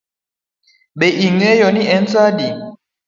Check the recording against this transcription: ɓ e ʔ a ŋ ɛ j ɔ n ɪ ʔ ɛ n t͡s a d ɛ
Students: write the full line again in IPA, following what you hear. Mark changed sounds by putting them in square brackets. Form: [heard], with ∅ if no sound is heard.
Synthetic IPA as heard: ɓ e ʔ [i] ŋ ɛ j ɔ n [i] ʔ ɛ n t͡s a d [i]